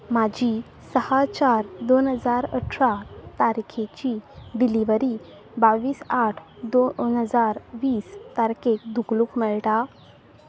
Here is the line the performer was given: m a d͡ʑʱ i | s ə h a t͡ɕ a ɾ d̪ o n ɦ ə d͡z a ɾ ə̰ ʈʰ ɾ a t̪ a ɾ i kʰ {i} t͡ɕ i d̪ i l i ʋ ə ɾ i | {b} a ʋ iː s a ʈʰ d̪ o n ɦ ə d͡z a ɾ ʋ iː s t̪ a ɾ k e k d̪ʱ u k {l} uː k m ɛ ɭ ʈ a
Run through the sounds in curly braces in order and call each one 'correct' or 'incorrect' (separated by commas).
incorrect, correct, correct